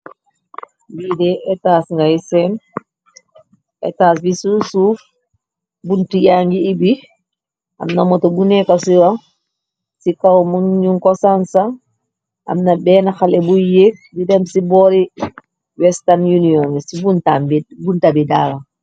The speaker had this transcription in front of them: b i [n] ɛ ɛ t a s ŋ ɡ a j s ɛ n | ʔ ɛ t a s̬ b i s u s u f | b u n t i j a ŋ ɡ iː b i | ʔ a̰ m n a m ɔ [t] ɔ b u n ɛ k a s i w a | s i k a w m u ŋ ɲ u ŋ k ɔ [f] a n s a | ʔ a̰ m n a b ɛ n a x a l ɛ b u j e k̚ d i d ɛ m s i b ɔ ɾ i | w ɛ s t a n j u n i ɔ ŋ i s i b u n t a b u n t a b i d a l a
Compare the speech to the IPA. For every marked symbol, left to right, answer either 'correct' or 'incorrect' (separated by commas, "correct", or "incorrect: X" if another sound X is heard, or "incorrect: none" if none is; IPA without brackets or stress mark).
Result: incorrect: d, correct, incorrect: s